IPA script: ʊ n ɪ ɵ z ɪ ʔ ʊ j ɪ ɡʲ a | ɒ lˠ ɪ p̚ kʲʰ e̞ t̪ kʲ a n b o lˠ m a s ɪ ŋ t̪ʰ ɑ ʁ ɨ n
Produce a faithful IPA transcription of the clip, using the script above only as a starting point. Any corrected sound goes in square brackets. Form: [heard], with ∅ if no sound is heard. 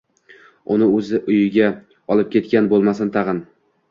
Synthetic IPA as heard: ʊ n ɪ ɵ z ɪ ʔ ʊ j ɪ ɡʲ a | ɒ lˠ ɪ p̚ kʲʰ e̞ t̪ kʲ a n b o lˠ m a s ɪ [n] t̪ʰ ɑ ʁ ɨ n